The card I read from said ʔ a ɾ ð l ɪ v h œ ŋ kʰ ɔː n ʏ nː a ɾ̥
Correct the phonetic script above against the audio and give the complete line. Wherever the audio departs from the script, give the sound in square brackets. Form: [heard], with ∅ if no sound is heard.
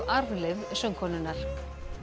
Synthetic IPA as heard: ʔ a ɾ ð l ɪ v [s] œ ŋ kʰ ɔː n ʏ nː a ɾ̥

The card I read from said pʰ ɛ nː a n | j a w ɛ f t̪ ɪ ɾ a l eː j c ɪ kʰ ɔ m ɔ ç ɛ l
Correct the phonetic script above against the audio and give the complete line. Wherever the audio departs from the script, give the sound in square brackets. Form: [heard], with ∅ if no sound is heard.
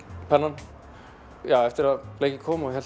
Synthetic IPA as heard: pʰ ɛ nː a n | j a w ɛ f t̪ ɪ ɾ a l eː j c ɪ kʰ [ɔː] m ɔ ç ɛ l

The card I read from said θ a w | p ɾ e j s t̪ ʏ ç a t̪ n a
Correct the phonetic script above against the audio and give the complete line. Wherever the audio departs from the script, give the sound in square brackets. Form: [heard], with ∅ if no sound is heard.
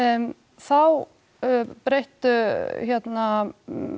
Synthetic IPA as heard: θ a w | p ɾ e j [h] t̪ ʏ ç [ɛ] t̪ n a

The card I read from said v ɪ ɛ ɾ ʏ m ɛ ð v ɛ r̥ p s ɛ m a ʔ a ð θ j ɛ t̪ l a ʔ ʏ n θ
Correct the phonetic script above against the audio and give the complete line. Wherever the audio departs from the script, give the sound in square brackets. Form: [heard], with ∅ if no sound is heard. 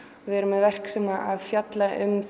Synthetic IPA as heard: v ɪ ɛ ɾ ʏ m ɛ ð v ɛ r̥ [k] s ɛ m a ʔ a ð [f] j [a] t̪ l a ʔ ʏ [m] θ

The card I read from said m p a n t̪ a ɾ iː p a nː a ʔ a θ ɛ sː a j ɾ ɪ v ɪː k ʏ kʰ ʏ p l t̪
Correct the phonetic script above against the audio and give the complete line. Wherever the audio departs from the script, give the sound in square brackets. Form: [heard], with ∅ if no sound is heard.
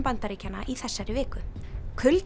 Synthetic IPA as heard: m p a n t̪ a ɾ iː [c] a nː a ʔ [i] θ ɛ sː a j ɾ ɪ v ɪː k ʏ kʰ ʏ [∅] l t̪

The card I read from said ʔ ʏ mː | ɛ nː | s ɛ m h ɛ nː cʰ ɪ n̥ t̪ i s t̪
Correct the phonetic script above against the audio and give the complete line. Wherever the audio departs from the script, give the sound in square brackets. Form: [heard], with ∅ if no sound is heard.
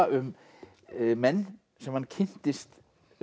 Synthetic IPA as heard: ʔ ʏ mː | ɛ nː | s ɛ m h [a] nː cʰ ɪ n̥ t̪ [ɪ] s t̪

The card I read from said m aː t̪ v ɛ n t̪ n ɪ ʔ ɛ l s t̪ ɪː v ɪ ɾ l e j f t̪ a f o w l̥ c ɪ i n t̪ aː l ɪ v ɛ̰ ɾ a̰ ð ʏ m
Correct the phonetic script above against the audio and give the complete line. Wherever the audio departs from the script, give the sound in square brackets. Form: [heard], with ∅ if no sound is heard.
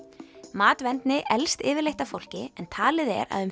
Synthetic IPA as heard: m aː t̪ v ɛ n t̪ n ɪ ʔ ɛ l s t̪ ɪː v ɪ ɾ l e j [h] t̪ a f o w l̥ c ɪ [ɛ] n [t̪ʰ] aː l ɪ [ð] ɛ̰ ɾ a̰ ð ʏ m

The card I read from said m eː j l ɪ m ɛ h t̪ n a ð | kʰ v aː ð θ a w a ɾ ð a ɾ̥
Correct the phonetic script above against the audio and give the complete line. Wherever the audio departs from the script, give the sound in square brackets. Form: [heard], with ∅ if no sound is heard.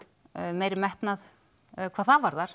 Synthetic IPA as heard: m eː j [ɾ] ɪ m ɛ h t̪ n a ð | kʰ v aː ð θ a [v] a ɾ ð a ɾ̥

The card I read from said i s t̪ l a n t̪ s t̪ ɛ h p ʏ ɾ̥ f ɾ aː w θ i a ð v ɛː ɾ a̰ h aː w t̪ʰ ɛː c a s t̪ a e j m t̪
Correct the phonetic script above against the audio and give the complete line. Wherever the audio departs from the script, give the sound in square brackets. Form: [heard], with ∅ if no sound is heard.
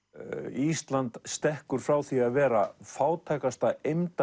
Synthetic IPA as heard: i s t̪ l a n t̪ s t̪ ɛ h [k] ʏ ɾ̥ f ɾ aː w θ i a ð v ɛː ɾ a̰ [f] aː w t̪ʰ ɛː [k] a s t̪ a e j m t̪

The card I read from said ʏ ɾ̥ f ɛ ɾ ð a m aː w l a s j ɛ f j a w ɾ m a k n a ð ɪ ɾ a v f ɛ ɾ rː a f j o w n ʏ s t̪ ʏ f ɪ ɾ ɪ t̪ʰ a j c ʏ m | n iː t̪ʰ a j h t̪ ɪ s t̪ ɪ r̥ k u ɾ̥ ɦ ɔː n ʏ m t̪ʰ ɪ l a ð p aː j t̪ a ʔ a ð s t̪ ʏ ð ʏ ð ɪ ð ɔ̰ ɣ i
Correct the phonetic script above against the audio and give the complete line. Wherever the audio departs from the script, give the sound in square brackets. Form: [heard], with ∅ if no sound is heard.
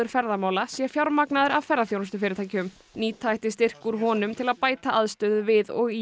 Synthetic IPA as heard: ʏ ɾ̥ f ɛ ɾ ð a m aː w l a s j ɛ f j a w ɾ m a k n a ð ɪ ɾ a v f ɛ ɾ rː a [θ] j o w n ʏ s t̪ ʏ f ɪ ɾ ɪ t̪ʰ a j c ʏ m | n iː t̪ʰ a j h t̪ ɪ s t̪ ɪ r̥ k u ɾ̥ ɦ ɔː n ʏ m t̪ʰ ɪ l a ð p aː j t̪ a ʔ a ð s t̪ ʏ ð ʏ [v] ɪ ð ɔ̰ ɣ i

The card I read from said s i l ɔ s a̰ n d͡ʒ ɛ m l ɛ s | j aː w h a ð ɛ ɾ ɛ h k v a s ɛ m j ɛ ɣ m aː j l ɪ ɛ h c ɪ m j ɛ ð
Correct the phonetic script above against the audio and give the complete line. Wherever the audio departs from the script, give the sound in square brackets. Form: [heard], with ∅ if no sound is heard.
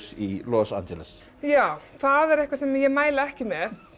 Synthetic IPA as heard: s i l ɔ s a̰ n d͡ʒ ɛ [∅] l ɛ s | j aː w [θ] a ð ɛ ɾ ɛ h k v a s ɛ m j ɛ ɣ m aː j l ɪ ɛ h c ɪ m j ɛ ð

